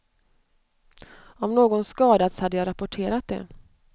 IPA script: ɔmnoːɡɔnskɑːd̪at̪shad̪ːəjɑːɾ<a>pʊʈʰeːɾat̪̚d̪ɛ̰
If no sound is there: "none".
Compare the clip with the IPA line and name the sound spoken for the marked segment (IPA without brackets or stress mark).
a